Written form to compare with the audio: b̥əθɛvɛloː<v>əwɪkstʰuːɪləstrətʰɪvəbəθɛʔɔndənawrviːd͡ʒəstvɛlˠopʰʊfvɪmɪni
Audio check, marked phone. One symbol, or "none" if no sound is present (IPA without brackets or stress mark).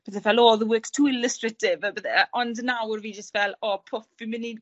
ð